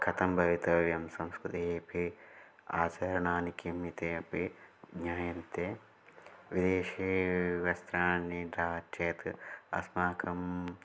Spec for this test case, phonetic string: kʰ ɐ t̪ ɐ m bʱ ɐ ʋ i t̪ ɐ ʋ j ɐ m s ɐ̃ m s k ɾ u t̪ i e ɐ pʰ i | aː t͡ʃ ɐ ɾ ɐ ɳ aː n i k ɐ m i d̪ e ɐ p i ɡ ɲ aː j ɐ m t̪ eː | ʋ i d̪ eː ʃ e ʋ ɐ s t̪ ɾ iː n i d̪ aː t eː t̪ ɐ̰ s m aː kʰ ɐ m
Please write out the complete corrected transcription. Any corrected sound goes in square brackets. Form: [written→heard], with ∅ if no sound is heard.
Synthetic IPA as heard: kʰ ɐ t̪ ɐ m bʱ ɐ ʋ i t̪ ɐ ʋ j ɐ m s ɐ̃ m s k ɾ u t̪ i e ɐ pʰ i | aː t͡ʃ ɐ ɾ ɐ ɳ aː n i k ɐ m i [d̪→t̪] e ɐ p i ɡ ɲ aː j ɐ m t̪ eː | ʋ i d̪ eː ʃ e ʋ ɐ s t̪ ɾ [iː→aː] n i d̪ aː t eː t̪ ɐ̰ s m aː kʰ ɐ m